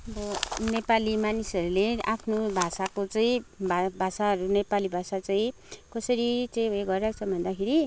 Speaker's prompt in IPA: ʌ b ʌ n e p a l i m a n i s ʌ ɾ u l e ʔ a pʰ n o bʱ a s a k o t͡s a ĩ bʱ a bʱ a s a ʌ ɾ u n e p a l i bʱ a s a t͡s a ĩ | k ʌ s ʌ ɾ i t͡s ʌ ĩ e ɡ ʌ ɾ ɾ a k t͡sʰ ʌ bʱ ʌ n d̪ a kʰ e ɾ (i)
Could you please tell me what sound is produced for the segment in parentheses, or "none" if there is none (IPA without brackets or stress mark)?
i